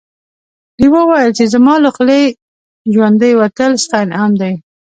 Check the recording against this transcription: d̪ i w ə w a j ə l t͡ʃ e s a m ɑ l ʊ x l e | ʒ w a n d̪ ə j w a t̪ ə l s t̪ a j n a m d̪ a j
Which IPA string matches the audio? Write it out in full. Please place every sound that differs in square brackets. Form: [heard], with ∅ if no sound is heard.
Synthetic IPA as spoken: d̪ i w ə w a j ə l t͡ʃ e [z] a m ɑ l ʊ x l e | ʒ w a n d̪ ə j w a t̪ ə l s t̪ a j n a m d̪ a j